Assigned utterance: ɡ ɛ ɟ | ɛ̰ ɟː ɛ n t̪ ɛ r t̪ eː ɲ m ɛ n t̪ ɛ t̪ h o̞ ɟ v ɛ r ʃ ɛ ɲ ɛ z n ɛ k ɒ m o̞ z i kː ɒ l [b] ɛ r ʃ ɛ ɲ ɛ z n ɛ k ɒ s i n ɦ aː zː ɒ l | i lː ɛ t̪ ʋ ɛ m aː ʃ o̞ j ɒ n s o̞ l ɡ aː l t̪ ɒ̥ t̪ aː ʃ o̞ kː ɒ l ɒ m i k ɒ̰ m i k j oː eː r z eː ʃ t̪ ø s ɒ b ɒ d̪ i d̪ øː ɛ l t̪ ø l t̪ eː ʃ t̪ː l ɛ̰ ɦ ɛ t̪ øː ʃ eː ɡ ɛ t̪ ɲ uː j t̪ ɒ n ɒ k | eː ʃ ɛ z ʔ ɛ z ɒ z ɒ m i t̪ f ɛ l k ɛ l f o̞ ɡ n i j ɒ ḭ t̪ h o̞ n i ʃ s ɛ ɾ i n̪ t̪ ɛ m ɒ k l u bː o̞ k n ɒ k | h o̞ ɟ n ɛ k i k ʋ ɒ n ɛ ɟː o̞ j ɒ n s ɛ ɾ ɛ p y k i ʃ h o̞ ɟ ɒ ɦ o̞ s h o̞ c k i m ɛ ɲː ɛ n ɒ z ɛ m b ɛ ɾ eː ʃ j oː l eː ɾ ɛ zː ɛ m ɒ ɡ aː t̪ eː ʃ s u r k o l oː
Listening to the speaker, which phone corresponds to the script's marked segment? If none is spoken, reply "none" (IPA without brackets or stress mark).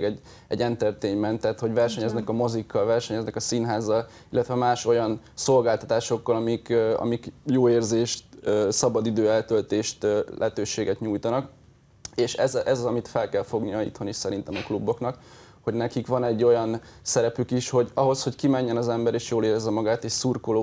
v